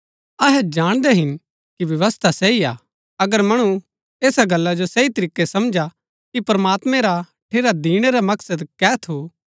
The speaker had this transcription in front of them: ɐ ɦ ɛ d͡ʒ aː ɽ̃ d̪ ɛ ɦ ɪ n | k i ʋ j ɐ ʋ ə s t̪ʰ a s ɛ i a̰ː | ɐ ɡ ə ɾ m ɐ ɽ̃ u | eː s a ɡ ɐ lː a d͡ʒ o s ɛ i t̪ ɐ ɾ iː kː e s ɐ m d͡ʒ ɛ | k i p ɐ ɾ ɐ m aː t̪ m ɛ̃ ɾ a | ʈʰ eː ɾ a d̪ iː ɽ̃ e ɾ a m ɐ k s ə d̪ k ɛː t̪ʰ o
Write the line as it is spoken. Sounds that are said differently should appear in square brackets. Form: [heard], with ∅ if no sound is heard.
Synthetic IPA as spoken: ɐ ɦ ɛ d͡ʒ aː ɽ̃ d̪ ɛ ɦ ɪ n | k i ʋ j ɐ ʋ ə s t̪ʰ a s ɛ i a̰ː | ɐ ɡ ə ɾ m ɐ ɽ̃ u | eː s a ɡ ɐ lː a d͡ʒ o s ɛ i t̪ ɐ ɾ iː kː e s ɐ m d͡ʒ [a] | k i p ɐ ɾ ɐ m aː t̪ m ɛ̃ ɾ a | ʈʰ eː ɾ a d̪ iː ɽ̃ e ɾ a m ɐ k s ə d̪ k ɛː t̪ʰ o

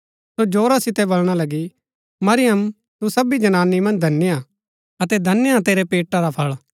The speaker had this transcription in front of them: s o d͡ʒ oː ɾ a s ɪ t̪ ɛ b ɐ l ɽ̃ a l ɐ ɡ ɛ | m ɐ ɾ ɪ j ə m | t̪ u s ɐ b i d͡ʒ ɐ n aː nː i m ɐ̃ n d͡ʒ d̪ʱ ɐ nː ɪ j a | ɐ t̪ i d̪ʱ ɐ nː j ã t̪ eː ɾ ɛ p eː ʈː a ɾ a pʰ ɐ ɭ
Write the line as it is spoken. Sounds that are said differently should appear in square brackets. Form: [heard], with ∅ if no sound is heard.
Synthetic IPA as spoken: s o d͡ʒ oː ɾ a s ɪ t̪ ɛ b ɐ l ɽ̃ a l ɐ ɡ [i] | m ɐ ɾ ɪ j ə m | t̪ u s ɐ b i d͡ʒ ɐ n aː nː i m ɐ̃ n d͡ʒ d̪ʱ ɐ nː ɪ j a | ɐ t̪ [ɛ] d̪ʱ ɐ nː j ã t̪ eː ɾ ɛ p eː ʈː a ɾ a pʰ ɐ ɭ

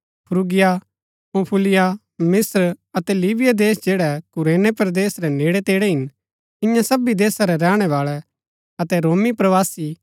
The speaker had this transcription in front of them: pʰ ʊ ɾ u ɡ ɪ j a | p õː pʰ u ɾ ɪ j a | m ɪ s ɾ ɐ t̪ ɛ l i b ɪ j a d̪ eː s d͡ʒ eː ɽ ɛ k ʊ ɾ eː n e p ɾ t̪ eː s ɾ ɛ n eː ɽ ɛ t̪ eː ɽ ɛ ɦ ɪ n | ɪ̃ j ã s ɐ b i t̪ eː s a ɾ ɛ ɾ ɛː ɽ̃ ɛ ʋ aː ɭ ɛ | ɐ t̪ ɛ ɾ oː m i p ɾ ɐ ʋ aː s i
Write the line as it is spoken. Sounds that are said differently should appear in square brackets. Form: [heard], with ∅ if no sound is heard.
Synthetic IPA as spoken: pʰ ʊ ɾ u ɡ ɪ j a | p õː pʰ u [l] ɪ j a | m ɪ s ɾ ɐ t̪ ɛ l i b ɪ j a d̪ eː s d͡ʒ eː ɽ ɛ k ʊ ɾ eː n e p ɾ [d̪] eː s ɾ ɛ n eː ɽ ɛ t̪ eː ɽ ɛ ɦ ɪ n | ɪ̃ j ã s ɐ b i [d̪] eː s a ɾ ɛ ɾ ɛː ɽ̃ ɛ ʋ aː ɭ ɛ | ɐ t̪ ɛ ɾ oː m i p ɾ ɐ ʋ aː s i

